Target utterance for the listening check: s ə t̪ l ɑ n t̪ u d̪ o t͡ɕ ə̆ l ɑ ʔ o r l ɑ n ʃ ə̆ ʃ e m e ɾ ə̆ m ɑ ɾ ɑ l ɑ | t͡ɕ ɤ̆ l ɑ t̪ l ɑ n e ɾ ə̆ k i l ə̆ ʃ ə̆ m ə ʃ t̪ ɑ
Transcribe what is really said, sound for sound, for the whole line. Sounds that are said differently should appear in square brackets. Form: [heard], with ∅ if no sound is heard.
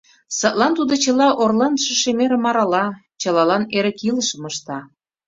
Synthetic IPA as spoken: s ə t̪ l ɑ n t̪ u d̪ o t͡ɕ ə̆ l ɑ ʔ o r l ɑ n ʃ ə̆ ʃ e m e ɾ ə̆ m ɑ ɾ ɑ l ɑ | t͡ɕ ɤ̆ l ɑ [∅] l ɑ n e ɾ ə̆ k i l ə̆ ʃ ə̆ m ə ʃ t̪ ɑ